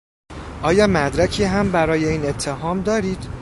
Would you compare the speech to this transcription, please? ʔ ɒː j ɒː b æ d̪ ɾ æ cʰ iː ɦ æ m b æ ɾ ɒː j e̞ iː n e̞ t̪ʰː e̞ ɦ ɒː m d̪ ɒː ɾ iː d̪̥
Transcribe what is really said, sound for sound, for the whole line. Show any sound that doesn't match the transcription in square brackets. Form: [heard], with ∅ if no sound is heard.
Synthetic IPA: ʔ ɒː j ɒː [m] æ d̪ ɾ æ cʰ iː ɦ æ m b æ ɾ ɒː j e̞ iː n e̞ t̪ʰː e̞ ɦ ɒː m d̪ ɒː ɾ iː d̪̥